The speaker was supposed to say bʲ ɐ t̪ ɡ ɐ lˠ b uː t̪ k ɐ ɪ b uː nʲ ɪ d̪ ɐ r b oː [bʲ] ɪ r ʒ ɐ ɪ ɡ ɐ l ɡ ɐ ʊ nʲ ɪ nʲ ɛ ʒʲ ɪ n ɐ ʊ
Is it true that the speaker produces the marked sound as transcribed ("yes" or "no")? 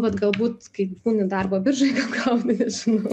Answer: yes